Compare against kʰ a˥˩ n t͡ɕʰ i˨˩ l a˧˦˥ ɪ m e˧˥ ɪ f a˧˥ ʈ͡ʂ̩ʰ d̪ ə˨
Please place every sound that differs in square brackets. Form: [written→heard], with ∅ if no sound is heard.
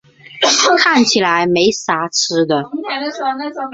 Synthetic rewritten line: kʰ a˥˩ n t͡ɕʰ i˨˩ l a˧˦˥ ɪ m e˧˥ ɪ [f→s] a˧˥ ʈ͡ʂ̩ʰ d̪ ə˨